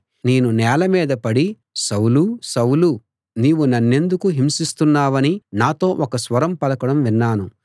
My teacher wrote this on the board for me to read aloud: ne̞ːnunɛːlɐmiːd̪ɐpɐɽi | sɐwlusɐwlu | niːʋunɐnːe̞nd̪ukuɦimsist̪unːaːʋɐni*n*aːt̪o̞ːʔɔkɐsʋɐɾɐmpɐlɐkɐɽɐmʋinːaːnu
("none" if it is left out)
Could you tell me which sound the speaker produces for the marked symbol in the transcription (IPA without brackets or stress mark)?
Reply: n